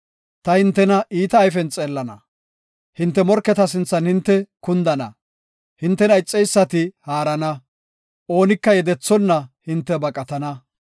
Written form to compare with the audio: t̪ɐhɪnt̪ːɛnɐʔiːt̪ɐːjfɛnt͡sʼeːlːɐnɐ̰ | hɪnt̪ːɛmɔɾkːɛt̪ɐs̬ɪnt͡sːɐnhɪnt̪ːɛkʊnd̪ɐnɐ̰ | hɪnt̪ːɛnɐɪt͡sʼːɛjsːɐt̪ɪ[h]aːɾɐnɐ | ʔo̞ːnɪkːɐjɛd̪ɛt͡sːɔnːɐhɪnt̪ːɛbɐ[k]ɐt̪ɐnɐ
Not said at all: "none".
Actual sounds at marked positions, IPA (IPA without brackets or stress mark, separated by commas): h, kʼ